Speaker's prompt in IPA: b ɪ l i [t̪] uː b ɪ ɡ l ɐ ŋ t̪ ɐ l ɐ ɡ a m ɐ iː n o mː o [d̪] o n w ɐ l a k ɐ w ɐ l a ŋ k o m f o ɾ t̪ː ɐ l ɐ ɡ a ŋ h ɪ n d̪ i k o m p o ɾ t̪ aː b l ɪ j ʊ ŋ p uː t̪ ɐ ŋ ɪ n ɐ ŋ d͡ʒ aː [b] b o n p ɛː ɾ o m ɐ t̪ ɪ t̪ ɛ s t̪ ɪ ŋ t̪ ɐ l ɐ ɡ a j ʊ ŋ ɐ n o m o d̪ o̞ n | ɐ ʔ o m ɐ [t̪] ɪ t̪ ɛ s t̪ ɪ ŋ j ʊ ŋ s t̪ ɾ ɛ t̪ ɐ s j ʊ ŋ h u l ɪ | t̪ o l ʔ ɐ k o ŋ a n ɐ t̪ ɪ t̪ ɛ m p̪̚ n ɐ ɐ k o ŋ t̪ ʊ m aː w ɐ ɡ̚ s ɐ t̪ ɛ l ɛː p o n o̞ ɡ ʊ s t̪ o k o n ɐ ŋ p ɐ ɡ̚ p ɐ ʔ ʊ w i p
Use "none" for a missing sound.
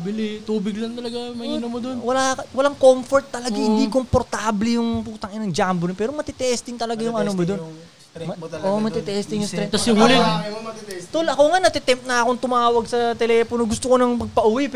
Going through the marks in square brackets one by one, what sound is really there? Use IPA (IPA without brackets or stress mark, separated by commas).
t̪, d̪, m, t̪